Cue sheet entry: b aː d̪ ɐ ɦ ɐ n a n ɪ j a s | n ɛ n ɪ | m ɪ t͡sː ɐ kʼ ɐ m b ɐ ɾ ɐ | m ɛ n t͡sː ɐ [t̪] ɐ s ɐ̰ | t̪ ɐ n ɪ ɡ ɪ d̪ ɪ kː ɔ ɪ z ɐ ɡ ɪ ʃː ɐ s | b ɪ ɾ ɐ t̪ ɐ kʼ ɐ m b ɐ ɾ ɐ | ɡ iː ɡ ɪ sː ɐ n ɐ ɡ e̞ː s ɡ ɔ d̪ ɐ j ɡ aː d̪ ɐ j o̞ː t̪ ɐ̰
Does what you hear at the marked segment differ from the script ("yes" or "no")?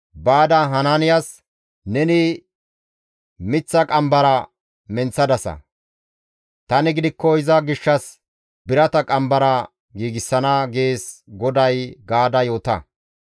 yes